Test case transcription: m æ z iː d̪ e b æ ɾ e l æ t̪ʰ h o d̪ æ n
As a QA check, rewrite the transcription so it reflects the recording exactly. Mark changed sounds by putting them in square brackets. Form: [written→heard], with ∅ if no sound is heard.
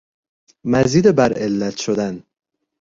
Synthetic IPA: m æ z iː d̪ e b æ ɾ e [l→lː] æ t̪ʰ [h→ʃ] o d̪ æ n